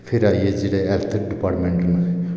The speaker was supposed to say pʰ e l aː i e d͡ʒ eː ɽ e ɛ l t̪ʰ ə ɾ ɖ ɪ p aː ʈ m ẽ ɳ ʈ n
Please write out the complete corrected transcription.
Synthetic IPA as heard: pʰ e ɾ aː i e d͡ʒ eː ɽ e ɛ l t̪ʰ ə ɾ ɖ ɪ p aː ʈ m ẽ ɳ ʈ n